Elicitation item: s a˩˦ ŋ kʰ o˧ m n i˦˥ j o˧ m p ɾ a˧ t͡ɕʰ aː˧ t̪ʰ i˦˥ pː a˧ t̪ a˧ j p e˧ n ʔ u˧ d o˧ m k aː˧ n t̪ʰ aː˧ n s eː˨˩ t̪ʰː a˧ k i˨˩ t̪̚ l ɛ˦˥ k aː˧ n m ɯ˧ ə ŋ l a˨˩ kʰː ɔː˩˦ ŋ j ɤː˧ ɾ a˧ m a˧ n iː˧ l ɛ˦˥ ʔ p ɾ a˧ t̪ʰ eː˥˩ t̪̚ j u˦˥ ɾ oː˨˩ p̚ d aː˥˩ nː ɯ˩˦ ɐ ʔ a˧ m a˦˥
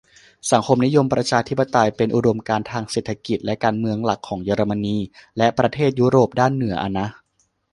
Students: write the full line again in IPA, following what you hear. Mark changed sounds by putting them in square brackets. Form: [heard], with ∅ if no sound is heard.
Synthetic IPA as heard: s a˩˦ ŋ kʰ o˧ m n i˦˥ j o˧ m p ɾ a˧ t͡ɕʰ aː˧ t̪ʰ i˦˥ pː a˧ t̪ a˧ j p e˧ n ʔ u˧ d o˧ m k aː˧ n t̪ʰ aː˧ [ŋ] s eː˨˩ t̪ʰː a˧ k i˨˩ t̪̚ l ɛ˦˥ k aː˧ n m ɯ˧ ə ŋ l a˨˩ kʰː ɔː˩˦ ŋ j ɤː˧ ɾ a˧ m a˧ n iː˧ l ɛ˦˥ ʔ p ɾ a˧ t̪ʰ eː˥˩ t̪̚ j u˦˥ ɾ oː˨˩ p̚ d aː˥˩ nː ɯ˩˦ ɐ ʔ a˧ [n] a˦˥